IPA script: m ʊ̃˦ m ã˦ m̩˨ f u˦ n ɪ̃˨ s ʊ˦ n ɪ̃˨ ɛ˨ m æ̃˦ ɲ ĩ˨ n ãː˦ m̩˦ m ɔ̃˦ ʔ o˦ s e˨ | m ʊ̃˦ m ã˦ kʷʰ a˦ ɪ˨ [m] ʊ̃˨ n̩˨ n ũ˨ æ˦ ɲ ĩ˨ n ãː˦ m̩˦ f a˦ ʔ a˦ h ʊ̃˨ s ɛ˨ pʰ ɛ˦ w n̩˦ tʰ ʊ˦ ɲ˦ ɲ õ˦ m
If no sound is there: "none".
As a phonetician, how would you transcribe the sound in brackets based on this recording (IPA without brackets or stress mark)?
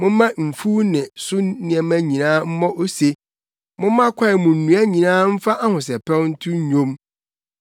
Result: m